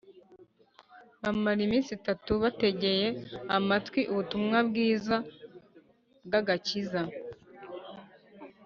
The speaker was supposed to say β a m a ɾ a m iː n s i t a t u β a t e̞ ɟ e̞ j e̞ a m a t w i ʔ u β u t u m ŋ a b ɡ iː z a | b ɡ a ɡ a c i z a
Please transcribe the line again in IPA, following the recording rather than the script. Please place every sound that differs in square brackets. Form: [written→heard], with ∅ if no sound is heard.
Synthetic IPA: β a m a ɾ [a→i] m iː n s i t a t u β a t e̞ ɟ e̞ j e̞ a m a t w i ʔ u β u t u m ŋ a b ɡ iː z a | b ɡ a ɡ a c i z a